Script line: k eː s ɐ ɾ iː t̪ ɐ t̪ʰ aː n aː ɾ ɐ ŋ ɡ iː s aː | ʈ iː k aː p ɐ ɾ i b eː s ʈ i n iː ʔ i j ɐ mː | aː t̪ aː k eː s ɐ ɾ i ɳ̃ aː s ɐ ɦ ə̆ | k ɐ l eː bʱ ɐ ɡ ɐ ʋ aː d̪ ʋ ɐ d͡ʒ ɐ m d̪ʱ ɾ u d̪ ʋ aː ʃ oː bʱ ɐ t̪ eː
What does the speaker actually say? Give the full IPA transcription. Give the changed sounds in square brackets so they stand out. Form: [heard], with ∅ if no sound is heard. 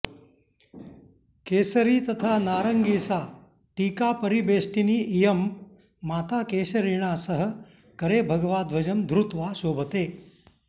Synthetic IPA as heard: k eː s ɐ ɾ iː t̪ ɐ t̪ʰ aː n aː ɾ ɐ ŋ ɡ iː s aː | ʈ iː k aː p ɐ ɾ i b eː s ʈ i n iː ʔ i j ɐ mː | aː t̪ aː k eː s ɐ ɾ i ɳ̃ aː s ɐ ɦ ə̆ | k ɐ [ɾ] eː bʱ ɐ ɡ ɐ ʋ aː d̪ ʋ ɐ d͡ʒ ɐ m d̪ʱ ɾ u [t̪] ʋ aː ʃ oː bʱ ɐ t̪ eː

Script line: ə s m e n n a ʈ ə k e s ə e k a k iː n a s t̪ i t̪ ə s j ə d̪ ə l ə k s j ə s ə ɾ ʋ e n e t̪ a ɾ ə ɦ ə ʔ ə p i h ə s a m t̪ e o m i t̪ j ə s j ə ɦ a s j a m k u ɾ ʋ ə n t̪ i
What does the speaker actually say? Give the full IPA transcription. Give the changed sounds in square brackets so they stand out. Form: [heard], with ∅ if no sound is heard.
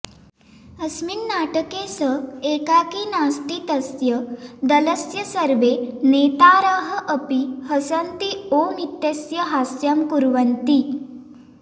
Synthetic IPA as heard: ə s m [i] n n a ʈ ə k e s ə e k a k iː n a s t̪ i t̪ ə s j ə d̪ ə l ə [∅] s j ə s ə ɾ ʋ e n e t̪ a ɾ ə ɦ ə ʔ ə p i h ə s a [n] t̪ [i] o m i t̪ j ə s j ə ɦ a s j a m k u ɾ ʋ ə n t̪ i

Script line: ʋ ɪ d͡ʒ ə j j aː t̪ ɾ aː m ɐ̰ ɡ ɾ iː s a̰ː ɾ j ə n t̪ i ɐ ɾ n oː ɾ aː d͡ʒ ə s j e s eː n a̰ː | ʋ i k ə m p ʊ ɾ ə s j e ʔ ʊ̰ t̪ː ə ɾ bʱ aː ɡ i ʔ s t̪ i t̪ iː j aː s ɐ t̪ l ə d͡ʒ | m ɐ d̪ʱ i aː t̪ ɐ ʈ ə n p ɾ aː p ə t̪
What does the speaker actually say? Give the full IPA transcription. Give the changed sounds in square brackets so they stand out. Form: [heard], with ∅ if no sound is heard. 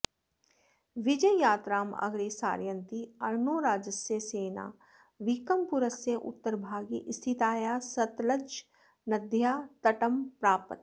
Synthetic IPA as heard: ʋ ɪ d͡ʒ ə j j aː t̪ ɾ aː m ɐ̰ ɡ ɾ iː s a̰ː ɾ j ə n t̪ i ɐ ɾ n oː ɾ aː d͡ʒ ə s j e s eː n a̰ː | ʋ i k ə m p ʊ ɾ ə s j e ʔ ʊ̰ t̪ː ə ɾ bʱ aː ɡ i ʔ s [t̪ʰ] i t̪ [aː] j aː s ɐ t̪ l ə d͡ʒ | [n] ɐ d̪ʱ [j] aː t̪ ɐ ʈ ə [m] p ɾ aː p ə t̪

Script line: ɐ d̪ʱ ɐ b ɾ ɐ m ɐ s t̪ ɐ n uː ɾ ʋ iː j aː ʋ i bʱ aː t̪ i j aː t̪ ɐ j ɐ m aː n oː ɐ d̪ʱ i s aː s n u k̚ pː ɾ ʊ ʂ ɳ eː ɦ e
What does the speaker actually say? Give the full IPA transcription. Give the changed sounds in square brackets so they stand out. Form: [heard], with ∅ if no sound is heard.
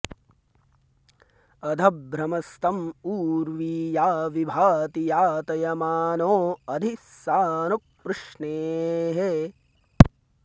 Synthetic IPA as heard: ɐ d̪ʱ ɐ b ɾ ɐ m ɐ s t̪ ɐ [m] uː ɾ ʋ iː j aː ʋ i bʱ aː t̪ i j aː t̪ ɐ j ɐ m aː n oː ɐ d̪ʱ i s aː [∅] n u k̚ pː ɾ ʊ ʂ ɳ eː ɦ e

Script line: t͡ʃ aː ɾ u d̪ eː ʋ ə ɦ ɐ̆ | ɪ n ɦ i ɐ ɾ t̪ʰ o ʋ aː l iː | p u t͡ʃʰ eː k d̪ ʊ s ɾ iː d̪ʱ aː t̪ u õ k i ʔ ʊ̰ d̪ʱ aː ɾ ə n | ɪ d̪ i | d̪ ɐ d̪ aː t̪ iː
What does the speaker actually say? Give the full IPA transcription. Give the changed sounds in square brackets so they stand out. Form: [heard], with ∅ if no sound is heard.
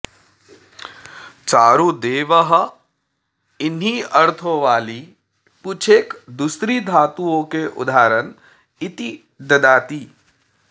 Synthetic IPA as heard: t͡ʃ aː ɾ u d̪ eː ʋ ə ɦ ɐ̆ | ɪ n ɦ i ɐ ɾ t̪ʰ o ʋ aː l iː | p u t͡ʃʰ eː k d̪ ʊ s ɾ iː d̪ʱ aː t̪ u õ k [e] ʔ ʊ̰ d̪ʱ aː ɾ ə n | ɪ [t̪] i | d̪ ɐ d̪ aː t̪ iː

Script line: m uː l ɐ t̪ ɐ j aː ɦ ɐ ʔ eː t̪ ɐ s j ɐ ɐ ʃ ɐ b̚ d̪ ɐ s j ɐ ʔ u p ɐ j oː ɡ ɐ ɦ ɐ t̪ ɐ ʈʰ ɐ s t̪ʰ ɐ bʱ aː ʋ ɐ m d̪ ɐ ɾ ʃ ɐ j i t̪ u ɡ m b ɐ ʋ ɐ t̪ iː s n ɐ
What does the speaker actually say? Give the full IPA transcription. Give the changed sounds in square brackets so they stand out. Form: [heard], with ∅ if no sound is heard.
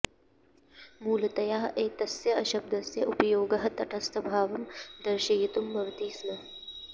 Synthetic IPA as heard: m uː l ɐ t̪ ɐ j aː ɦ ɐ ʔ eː t̪ ɐ s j ɐ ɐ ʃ ɐ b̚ d̪ ɐ s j ɐ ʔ u p ɐ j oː ɡ ɐ ɦ ɐ t̪ ɐ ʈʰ ɐ s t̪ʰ ɐ bʱ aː ʋ ɐ m d̪ ɐ ɾ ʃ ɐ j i t̪ u [∅] m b ɐ ʋ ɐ t̪ iː s n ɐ

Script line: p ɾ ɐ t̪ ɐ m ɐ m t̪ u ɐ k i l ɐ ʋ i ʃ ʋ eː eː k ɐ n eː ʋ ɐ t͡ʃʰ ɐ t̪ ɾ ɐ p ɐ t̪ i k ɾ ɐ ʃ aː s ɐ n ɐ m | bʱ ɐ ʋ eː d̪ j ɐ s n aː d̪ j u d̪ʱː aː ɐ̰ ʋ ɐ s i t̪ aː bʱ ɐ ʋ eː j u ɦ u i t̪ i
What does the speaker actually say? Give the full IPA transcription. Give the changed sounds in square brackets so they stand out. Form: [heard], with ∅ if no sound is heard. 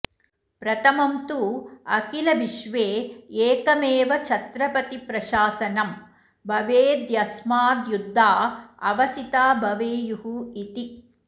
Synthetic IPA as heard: p ɾ ɐ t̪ ɐ m ɐ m t̪ u ɐ k i l ɐ ʋ i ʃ ʋ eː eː k ɐ [m] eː ʋ ɐ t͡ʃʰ ɐ t̪ ɾ ɐ p ɐ t̪ i [p] ɾ ɐ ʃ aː s ɐ n ɐ m | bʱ ɐ ʋ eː d̪ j ɐ s [m] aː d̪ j u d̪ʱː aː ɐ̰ ʋ ɐ s i t̪ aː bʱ ɐ ʋ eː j u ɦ u i t̪ i

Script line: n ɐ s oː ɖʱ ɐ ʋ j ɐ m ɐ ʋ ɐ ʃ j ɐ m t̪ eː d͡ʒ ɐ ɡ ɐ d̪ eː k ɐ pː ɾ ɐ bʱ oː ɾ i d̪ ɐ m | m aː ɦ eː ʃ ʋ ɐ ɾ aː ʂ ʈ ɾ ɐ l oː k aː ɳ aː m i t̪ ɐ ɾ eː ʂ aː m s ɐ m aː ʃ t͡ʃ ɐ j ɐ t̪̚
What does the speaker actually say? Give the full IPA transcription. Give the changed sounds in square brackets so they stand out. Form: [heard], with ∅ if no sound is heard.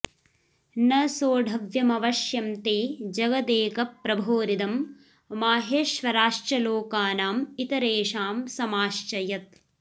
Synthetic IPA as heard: n ɐ s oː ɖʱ ɐ ʋ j ɐ m ɐ ʋ ɐ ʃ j ɐ m t̪ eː d͡ʒ ɐ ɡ ɐ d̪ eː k ɐ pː ɾ ɐ bʱ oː ɾ i d̪ ɐ m | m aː ɦ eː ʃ ʋ ɐ ɾ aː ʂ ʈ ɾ ɐ l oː k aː [n] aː m i t̪ ɐ ɾ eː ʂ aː m s ɐ m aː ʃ t͡ʃ ɐ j ɐ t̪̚

